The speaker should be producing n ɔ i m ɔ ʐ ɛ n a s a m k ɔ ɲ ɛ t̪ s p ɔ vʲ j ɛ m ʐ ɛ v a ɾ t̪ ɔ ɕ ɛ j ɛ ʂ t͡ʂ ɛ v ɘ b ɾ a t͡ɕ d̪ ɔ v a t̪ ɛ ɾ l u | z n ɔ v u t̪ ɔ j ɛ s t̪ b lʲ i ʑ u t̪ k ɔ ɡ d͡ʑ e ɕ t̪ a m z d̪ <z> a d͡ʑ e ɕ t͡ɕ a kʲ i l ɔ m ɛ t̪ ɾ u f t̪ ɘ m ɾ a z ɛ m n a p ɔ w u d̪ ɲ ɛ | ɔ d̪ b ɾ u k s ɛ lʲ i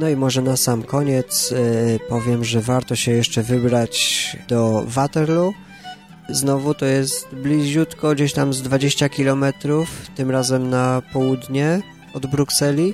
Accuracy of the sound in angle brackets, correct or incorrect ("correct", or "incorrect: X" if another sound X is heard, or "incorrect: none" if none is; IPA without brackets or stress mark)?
incorrect: v